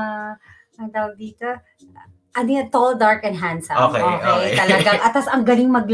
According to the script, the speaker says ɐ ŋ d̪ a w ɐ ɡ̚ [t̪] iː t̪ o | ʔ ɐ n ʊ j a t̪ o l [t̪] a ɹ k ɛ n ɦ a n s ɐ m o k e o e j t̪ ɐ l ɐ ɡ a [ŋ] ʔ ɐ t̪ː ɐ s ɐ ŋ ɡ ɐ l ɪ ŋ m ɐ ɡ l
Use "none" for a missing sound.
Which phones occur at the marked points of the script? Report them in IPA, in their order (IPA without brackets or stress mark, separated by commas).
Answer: d̪, d̪, ŋ